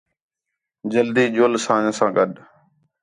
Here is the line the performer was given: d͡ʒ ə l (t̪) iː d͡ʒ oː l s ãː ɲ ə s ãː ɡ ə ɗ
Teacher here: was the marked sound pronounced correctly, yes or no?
no